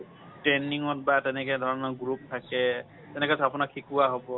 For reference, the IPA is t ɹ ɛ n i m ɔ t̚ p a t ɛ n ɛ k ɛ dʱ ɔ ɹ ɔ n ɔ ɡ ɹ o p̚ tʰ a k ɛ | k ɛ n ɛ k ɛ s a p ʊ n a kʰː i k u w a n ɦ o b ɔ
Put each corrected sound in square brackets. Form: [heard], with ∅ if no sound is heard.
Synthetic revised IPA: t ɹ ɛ n i [ŋ] ɔ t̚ [b] a t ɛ n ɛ k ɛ dʱ ɔ ɹ ɔ n ɔ ɡ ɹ [u] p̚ tʰ a k ɛ | [t] ɛ n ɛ k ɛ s a p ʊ n a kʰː i k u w a [∅] ɦ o b ɔ